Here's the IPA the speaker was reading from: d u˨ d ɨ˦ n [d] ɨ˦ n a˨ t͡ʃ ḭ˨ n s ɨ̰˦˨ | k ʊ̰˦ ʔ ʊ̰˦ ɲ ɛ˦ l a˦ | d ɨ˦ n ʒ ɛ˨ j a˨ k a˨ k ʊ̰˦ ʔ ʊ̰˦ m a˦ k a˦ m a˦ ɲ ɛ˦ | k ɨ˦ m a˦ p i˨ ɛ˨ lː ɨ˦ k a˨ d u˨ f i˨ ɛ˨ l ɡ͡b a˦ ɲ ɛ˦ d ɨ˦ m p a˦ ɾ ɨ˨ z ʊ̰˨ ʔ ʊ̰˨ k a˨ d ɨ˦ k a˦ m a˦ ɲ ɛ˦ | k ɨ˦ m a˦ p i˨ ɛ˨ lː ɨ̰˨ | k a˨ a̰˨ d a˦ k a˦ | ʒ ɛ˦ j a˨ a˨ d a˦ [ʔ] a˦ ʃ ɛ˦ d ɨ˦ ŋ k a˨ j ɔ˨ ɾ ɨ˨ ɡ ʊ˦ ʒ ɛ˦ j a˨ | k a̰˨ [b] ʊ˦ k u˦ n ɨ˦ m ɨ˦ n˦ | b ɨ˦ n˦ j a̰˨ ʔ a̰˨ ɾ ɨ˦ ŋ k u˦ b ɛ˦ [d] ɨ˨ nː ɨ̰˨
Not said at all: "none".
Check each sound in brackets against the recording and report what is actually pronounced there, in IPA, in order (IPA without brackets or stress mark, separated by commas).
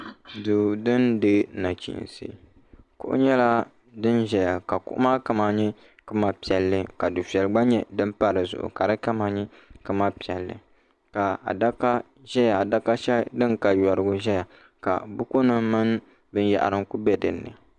d, k, b, d